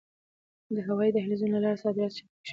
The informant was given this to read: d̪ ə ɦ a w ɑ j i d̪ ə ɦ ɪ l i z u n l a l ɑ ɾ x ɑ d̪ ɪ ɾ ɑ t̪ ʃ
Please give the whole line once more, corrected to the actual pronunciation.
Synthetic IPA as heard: d̪ ə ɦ a w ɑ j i d̪ ə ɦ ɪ l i z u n l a l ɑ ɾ s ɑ d̪ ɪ ɾ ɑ t̪ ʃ